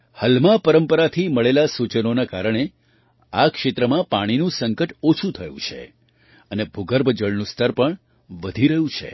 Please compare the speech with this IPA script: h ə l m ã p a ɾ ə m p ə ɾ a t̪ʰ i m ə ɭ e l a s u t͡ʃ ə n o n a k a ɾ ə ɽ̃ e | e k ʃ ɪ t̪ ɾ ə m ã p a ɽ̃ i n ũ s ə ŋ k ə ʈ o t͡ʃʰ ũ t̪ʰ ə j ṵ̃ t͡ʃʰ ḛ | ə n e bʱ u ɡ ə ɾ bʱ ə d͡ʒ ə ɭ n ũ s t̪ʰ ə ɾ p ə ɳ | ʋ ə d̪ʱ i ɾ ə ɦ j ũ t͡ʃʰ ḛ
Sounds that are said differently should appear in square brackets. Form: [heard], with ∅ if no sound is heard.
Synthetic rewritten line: h ə l m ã p [ə] ɾ ə m p ə ɾ a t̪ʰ i m ə ɭ e l a s u t͡ʃ ə n o n a k a ɾ ə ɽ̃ e | [a] k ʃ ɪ t̪ ɾ ə m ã p a ɽ̃ i n ũ s ə ŋ k ə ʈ o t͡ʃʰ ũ t̪ʰ ə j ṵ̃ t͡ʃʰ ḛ | ə n e bʱ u ɡ ə ɾ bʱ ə d͡ʒ ə ɭ n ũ s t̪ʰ ə ɾ p ə ɳ | ʋ ə d̪ʱ i ɾ ə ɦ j ũ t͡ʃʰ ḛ

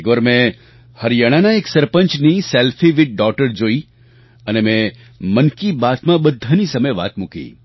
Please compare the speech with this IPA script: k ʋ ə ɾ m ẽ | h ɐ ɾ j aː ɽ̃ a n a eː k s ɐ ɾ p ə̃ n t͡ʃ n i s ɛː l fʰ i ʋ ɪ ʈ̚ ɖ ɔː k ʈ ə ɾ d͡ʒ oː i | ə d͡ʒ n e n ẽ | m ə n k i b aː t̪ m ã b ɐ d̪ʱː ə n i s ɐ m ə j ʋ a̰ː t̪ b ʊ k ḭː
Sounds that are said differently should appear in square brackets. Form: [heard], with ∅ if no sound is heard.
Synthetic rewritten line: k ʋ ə ɾ m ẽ | h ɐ ɾ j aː ɽ̃ a n a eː k s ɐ ɾ p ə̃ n t͡ʃ n i s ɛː l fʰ i ʋ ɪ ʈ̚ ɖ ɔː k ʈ ə ɾ d͡ʒ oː i | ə [∅] n e [m] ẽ | m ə n k i b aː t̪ m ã b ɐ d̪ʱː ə n i s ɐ m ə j ʋ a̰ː t̪ [m] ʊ k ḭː

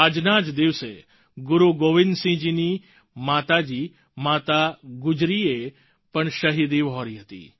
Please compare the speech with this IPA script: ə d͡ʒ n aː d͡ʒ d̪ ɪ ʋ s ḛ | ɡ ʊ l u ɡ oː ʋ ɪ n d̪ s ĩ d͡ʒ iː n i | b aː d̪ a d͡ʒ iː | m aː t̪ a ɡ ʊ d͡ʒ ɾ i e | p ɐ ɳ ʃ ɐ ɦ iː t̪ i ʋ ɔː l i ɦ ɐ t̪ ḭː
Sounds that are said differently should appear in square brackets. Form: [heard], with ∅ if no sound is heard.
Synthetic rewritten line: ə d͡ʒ n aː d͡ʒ d̪ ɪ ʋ s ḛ | ɡ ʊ [ɾ] u ɡ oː ʋ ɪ n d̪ s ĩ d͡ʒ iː n i | [m] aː [t̪] a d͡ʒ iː | m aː t̪ a ɡ ʊ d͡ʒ ɾ i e | p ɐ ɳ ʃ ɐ ɦ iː [d̪] i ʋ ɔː [ɾ] i ɦ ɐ t̪ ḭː

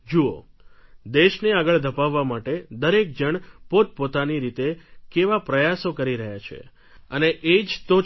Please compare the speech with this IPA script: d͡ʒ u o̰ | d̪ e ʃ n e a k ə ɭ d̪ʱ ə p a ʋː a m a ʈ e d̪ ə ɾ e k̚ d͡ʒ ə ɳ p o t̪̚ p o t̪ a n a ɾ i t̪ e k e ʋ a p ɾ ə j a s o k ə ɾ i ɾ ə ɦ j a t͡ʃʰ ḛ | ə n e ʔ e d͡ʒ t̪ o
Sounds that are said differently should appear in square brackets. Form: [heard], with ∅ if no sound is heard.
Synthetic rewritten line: d͡ʒ u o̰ | d̪ e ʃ n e a [ɡ] ə ɭ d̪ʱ ə p a ʋː a m a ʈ e d̪ ə ɾ e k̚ d͡ʒ ə ɳ p o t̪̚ p o t̪ a n [i] ɾ i t̪ e k e ʋ a p ɾ ə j a s o k ə ɾ i ɾ ə ɦ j a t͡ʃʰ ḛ | ə n e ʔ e d͡ʒ t̪ o

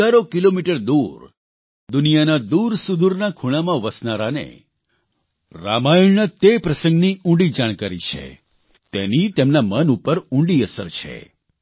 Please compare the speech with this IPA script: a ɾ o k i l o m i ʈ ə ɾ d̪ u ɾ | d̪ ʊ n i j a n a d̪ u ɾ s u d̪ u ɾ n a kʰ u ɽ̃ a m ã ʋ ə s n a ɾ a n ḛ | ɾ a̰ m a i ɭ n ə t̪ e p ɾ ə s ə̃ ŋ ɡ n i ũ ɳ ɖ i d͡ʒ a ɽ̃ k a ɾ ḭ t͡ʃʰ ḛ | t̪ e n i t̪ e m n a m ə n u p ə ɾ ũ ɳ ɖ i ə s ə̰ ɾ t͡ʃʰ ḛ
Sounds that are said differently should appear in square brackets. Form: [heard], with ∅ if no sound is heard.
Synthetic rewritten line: a ɾ o k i l o m i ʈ ə ɾ d̪ u ɾ | d̪ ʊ n i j a n a d̪ u ɾ s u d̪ u ɾ n a kʰ u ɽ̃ a m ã ʋ ə s n a ɾ a n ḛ | ɾ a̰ m a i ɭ n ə t̪ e p ɾ ə s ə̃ ŋ ɡ n i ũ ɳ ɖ i d͡ʒ a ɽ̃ k a ɾ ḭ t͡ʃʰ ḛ | t̪ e n i t̪ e m n a m ə n u p ə ɾ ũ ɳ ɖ i ə s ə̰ ɾ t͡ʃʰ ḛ

